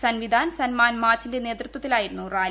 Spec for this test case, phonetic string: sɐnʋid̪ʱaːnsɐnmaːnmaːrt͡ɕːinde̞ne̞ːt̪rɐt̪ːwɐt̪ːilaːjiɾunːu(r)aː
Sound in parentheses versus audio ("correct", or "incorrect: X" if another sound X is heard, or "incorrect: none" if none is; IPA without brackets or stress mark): correct